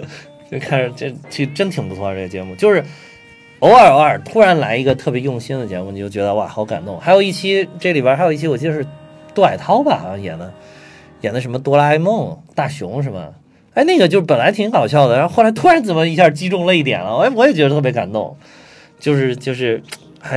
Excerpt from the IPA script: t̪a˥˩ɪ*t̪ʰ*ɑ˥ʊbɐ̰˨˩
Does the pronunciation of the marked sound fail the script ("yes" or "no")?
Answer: no